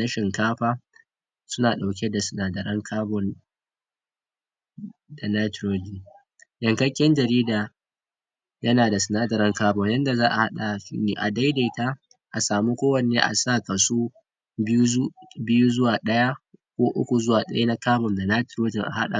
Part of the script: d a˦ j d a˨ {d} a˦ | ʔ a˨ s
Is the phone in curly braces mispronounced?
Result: yes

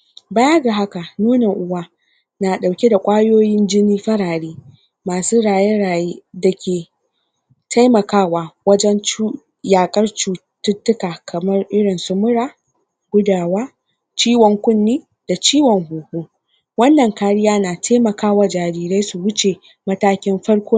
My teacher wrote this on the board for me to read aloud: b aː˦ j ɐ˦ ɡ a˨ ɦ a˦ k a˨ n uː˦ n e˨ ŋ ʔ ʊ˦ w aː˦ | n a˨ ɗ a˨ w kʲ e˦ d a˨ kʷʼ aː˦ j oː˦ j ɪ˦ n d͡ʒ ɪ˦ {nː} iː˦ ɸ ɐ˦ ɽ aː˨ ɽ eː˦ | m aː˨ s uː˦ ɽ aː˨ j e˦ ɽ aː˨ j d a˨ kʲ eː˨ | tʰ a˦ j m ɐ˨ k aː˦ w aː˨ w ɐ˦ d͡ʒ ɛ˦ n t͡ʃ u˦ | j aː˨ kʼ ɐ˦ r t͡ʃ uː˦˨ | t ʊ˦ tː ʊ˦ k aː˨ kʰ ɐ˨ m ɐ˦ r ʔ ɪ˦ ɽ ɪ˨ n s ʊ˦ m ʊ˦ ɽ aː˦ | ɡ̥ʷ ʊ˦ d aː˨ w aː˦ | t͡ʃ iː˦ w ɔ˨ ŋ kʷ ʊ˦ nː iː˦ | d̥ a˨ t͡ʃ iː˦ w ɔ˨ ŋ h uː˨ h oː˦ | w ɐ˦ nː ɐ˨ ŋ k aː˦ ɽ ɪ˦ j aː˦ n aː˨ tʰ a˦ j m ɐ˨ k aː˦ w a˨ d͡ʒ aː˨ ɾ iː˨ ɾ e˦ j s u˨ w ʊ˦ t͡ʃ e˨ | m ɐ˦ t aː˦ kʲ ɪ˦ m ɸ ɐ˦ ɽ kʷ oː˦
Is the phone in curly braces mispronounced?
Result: yes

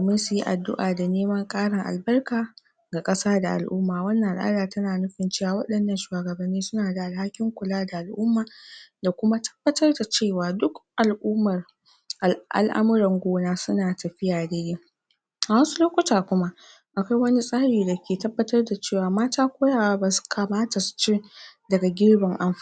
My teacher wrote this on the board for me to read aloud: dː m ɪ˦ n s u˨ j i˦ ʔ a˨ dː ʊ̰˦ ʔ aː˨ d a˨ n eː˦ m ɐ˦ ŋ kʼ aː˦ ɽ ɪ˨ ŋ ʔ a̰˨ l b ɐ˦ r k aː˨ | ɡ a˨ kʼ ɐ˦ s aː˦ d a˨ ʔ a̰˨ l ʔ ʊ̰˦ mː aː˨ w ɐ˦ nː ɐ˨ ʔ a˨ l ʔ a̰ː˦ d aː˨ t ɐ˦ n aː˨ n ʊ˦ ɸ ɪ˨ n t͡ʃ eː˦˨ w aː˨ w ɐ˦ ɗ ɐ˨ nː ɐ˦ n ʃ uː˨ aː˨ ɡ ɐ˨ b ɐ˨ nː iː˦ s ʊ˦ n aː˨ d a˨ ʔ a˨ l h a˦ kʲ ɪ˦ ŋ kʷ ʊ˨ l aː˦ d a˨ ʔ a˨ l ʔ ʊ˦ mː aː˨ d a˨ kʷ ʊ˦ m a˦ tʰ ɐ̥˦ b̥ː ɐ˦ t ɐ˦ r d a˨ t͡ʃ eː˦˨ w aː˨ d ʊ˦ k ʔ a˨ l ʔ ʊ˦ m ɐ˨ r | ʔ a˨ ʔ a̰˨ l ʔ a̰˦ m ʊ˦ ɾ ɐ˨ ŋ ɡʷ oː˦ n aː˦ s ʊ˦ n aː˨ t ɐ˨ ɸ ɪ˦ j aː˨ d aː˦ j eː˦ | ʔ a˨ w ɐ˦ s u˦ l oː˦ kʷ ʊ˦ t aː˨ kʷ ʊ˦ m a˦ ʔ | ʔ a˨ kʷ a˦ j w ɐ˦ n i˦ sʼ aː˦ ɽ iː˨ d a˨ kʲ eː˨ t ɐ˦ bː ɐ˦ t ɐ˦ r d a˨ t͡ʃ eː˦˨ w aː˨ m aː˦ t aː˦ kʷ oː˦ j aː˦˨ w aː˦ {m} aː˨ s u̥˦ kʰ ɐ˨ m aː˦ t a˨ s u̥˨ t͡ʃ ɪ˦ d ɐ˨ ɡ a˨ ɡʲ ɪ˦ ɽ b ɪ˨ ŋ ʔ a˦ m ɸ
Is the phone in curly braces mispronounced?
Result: yes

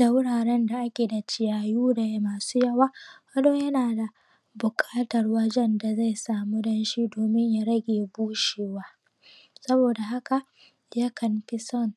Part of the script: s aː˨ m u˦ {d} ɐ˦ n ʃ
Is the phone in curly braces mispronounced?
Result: no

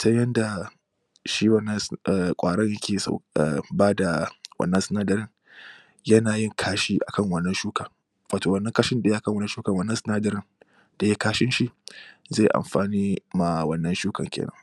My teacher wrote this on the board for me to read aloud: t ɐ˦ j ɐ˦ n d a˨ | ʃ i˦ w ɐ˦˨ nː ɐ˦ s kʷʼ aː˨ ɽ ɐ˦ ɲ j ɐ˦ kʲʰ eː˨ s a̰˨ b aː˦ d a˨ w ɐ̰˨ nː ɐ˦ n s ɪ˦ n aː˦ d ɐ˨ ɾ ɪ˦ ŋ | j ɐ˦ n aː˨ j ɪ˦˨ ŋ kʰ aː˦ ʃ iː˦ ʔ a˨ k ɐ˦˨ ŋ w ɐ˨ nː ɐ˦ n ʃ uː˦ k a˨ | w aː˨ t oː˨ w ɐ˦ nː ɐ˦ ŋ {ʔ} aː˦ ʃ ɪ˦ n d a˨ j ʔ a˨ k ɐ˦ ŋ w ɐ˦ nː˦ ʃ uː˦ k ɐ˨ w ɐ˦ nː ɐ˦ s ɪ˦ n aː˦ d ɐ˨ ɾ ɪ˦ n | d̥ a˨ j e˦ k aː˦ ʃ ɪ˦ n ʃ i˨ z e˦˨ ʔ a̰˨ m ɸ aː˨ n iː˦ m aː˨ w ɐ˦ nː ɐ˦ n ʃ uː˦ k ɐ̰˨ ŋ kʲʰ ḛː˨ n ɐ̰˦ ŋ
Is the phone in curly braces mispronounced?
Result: yes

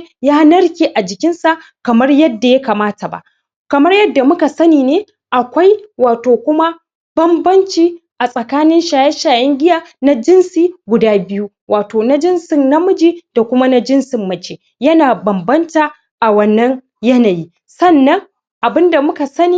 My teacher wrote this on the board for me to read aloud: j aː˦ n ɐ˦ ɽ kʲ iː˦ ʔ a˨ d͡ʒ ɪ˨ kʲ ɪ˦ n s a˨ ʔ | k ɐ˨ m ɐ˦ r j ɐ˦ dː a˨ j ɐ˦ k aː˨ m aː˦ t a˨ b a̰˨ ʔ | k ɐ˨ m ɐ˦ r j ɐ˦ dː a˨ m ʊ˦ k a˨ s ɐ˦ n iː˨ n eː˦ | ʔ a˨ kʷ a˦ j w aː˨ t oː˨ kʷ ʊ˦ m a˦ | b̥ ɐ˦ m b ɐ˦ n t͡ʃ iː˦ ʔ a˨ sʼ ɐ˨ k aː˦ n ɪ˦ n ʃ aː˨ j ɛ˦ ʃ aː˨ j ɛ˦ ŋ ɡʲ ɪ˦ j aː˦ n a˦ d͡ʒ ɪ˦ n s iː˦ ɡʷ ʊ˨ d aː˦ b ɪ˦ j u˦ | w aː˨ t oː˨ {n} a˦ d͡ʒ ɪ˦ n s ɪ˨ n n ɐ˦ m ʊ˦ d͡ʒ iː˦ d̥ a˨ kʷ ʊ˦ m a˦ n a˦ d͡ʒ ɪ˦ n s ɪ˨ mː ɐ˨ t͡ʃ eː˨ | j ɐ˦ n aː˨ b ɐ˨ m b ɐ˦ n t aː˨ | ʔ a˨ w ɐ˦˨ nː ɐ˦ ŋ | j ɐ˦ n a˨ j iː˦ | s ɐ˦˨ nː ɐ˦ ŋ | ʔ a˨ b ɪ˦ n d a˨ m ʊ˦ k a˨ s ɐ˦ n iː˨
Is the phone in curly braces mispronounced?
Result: no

